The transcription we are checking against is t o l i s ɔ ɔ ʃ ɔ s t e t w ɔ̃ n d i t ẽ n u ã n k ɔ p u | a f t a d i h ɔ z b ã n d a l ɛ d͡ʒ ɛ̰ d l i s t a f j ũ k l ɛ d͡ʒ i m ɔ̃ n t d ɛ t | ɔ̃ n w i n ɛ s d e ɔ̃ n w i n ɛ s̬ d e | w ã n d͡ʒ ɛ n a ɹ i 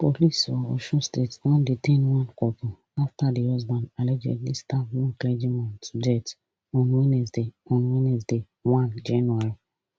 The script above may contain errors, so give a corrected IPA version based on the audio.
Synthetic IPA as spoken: p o l i s ɔ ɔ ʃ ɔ s t e t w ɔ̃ n d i t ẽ n w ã n k ɔ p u | a f t a d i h ɔ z b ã n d a l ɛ d͡ʒ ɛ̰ d l i s t a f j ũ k l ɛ d͡ʒ i m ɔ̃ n t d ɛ t | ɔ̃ n w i n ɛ s d e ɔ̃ n w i n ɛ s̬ d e | w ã n d͡ʒ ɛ n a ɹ i